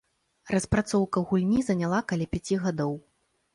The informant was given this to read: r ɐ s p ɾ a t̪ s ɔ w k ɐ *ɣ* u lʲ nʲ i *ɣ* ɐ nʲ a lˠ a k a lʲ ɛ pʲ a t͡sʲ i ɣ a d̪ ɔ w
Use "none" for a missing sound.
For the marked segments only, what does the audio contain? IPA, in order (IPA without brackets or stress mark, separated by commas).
ɣ, z